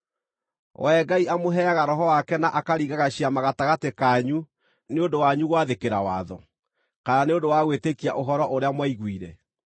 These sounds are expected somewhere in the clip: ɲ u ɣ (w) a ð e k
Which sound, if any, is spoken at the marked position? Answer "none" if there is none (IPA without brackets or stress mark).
w